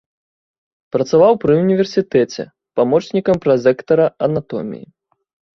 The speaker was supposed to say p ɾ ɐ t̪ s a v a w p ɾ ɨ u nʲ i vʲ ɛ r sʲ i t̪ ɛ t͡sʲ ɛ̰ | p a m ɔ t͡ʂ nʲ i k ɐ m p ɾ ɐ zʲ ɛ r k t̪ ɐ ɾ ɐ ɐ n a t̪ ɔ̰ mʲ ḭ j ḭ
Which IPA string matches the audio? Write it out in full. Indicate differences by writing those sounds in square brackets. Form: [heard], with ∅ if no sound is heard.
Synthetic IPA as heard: p ɾ ɐ t̪ s a v a w p ɾ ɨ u nʲ i vʲ ɛ r sʲ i t̪ ɛ t͡sʲ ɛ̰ | p a m ɔ t͡ʂ nʲ i k ɐ m p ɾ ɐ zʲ ɛ [∅] k t̪ ɐ ɾ ɐ ɐ n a t̪ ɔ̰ mʲ ḭ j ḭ

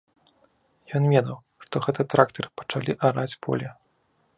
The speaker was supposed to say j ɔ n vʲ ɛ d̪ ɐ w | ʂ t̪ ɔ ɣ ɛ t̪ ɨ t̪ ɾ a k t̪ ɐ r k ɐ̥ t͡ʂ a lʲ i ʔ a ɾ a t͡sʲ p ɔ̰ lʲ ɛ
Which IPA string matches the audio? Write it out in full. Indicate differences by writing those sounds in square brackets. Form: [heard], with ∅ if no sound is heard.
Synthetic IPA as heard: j ɔ n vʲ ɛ d̪ ɐ w | ʂ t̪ ɔ ɣ ɛ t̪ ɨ t̪ ɾ a k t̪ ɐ r [p] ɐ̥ t͡ʂ a lʲ i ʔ a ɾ a t͡sʲ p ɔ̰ lʲ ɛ

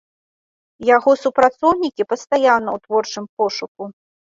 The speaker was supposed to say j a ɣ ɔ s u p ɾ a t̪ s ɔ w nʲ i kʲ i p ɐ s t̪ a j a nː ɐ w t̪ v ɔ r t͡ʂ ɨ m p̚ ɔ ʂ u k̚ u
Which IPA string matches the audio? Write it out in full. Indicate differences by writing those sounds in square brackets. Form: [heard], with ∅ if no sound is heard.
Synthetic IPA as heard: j a ɣ ɔ s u p ɾ a t̪ s ɔ w nʲ i kʲ i p ɐ s t̪ a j a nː ɐ w t̪ v ɔ r t͡ʂ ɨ m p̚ ɔ ʂ u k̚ u

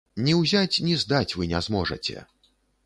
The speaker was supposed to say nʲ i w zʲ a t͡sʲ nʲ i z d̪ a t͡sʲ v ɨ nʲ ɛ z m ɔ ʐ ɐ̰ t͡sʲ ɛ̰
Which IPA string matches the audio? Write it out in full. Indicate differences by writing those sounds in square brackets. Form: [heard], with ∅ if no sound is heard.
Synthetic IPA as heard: nʲ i w zʲ a t͡sʲ nʲ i z d̪ a t͡sʲ v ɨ nʲ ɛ z m ɔ ʐ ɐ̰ t͡sʲ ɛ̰

